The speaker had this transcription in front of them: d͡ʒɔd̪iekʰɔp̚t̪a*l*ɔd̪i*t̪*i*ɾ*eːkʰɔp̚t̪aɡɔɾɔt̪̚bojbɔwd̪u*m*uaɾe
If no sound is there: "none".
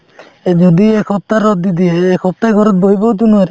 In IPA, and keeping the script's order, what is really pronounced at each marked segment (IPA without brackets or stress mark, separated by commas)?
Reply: ɾ, d̪, none, n